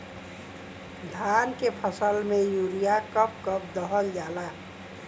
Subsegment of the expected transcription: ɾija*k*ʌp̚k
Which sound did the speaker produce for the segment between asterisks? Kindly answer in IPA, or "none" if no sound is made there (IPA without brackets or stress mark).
k